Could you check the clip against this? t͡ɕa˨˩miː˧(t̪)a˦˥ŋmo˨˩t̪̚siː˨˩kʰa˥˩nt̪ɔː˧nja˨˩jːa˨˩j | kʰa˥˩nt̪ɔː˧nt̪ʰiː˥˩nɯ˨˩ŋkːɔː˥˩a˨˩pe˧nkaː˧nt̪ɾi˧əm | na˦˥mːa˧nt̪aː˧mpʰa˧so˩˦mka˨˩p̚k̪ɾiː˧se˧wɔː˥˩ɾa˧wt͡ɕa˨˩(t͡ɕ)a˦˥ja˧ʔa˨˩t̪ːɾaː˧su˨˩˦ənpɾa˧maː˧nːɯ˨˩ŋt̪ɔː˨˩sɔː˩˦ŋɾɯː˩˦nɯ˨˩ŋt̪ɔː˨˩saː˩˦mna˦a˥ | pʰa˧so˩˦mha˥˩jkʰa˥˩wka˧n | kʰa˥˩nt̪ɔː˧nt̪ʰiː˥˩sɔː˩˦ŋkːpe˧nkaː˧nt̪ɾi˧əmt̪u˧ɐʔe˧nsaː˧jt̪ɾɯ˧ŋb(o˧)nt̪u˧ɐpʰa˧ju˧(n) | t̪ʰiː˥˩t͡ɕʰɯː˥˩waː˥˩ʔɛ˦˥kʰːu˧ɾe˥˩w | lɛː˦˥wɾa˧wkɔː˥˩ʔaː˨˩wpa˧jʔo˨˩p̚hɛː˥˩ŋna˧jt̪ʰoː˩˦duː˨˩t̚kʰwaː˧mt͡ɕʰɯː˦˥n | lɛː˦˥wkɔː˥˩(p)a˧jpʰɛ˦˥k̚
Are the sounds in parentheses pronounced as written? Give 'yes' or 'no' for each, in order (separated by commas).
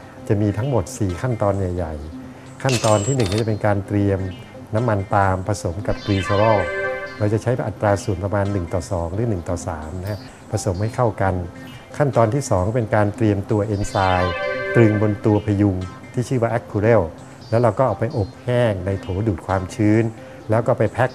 no, no, yes, no, yes